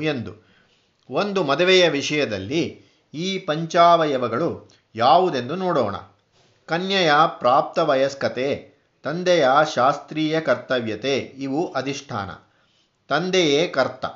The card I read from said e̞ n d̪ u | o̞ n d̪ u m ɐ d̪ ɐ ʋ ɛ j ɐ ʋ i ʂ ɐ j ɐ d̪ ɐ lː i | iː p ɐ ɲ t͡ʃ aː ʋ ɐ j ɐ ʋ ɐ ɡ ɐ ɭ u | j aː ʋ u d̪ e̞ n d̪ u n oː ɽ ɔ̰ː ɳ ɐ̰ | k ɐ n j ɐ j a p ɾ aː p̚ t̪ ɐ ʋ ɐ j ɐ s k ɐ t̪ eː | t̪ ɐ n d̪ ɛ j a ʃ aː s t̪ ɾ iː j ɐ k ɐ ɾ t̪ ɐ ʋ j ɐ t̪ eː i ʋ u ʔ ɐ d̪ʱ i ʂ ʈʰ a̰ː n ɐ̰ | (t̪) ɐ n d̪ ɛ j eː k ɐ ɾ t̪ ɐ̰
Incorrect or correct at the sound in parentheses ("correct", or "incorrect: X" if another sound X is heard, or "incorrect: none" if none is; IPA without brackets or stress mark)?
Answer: correct